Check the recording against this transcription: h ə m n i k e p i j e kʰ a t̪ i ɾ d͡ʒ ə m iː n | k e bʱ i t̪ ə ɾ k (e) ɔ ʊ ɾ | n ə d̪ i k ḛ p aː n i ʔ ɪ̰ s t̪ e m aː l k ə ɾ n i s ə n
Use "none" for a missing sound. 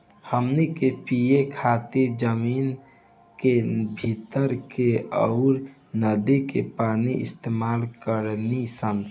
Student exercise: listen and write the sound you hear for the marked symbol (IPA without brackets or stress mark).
e